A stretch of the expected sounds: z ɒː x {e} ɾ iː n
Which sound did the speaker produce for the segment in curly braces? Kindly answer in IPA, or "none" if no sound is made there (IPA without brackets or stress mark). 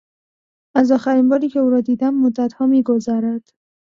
æ